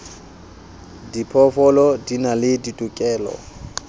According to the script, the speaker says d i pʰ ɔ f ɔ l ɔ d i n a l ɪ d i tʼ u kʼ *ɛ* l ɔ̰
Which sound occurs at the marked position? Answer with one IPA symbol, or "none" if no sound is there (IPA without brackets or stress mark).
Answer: ɛː